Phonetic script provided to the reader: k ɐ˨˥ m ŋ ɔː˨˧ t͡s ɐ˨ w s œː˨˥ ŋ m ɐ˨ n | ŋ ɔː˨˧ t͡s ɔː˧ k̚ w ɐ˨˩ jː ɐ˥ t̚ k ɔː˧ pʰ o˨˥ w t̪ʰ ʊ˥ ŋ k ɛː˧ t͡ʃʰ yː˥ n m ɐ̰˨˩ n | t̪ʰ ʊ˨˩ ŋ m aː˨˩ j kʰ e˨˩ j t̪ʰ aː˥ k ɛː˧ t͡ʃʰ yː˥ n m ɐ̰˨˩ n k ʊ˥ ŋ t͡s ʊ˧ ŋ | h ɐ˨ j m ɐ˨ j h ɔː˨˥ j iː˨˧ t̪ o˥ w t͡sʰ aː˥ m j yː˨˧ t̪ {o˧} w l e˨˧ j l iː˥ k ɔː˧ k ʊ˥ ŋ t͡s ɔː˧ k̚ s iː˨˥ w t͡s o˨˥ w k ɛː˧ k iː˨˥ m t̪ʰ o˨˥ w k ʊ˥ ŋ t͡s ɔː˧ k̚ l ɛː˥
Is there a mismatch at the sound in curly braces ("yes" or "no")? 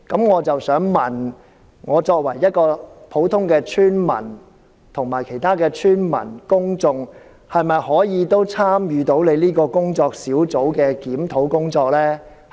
yes